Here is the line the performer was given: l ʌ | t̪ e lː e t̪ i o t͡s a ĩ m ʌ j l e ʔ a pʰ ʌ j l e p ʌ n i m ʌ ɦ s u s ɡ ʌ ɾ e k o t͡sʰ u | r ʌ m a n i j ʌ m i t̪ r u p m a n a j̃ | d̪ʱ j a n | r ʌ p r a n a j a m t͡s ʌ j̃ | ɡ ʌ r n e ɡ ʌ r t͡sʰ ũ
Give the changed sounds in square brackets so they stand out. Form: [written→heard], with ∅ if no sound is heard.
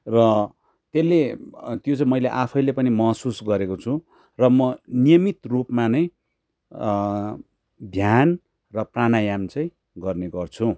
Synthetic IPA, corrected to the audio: [l→r] ʌ | t̪ e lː e t̪ [i→j] o t͡s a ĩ m ʌ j l e ʔ a pʰ ʌ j l e p ʌ n i m ʌ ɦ s u s ɡ ʌ ɾ e k o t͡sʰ u | r ʌ m [a→ʌ] n i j ʌ m i t̪ r u p m a n [a→ʌ] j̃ | d̪ʱ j a n | r ʌ p r a n a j a m t͡s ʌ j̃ | ɡ ʌ r n e ɡ ʌ r t͡sʰ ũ